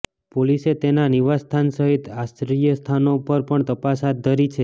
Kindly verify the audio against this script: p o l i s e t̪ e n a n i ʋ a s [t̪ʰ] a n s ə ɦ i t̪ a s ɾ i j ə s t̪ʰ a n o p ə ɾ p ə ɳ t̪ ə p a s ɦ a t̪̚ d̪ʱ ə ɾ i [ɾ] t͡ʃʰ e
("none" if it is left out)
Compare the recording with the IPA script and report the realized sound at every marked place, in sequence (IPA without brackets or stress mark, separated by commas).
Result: t̪ʰ, none